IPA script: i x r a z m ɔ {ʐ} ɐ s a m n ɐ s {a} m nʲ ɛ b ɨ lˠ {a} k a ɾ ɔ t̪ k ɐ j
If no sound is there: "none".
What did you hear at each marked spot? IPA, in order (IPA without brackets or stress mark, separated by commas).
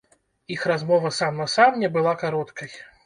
v, a, a